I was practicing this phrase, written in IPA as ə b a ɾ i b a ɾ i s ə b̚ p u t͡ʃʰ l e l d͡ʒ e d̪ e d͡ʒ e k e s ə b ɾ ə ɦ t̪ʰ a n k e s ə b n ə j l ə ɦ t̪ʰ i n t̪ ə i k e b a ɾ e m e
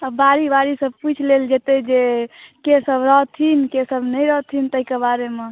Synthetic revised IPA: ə b a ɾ i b a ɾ i s ə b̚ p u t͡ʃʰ l e l d͡ʒ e t̪ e d͡ʒ e k e s ə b ɾ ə ɦ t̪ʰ i n k e s ə b n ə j ɾ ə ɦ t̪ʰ i n t̪ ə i k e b a ɾ e m e